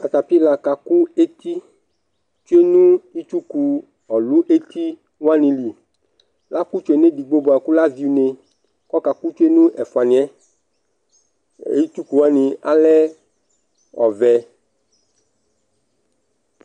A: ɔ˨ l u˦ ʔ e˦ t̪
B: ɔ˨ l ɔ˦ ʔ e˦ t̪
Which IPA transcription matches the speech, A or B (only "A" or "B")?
A